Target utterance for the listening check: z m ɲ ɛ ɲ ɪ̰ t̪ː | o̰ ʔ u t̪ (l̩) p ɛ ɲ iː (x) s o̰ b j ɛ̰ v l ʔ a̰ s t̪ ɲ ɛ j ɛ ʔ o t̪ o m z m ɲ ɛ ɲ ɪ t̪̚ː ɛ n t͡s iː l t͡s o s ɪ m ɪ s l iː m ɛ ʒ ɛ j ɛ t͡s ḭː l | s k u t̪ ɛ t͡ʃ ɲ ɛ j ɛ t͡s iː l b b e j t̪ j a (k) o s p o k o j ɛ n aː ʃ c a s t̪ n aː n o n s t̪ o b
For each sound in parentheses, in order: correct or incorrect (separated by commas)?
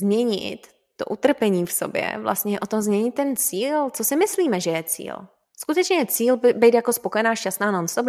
incorrect, incorrect, correct